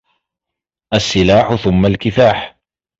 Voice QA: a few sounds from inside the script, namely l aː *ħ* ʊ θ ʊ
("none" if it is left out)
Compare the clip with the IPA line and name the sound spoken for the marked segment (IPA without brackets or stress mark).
ħ